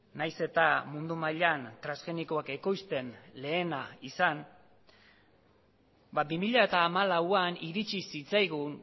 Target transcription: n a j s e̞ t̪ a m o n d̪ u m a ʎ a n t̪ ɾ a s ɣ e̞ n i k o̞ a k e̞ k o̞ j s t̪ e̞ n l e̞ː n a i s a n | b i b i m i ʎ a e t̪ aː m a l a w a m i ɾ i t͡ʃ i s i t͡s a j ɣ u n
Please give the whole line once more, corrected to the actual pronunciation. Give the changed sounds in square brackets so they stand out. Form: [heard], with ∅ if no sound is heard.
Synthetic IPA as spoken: n a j s e̞ t̪ a m [u] n d̪ u m a ʎ a n t̪ ɾ a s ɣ e̞ n i k o̞ a k e̞ k o̞ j s t̪ e̞ n l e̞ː n a i s a n | b [a] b i m i ʎ a e t̪ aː m a l a w a [n] i ɾ i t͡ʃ i s i t͡s a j ɣ u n